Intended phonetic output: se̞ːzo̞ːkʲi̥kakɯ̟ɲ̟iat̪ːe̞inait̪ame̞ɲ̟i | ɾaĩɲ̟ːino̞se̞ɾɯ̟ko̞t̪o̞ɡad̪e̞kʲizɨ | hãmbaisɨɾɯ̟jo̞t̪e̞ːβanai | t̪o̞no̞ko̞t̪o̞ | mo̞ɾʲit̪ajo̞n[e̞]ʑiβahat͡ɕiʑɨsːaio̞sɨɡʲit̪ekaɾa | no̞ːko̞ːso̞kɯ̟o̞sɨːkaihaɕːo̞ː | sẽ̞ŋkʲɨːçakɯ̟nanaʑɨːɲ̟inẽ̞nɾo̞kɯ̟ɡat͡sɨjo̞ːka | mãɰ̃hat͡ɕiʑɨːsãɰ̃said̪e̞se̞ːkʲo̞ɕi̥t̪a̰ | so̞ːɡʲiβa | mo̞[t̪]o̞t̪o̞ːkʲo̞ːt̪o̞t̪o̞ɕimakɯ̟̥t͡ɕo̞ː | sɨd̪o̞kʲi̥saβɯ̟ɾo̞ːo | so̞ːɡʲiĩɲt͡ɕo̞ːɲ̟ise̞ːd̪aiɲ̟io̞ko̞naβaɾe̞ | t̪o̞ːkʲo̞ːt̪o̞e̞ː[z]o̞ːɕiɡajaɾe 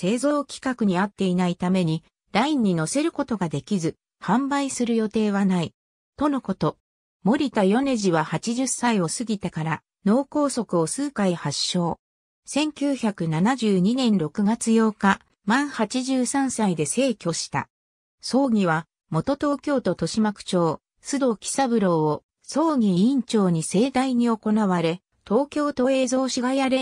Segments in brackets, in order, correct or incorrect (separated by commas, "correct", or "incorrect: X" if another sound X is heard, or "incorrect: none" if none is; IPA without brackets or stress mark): correct, correct, correct